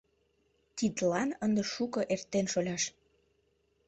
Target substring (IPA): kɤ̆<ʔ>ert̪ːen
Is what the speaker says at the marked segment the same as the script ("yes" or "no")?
yes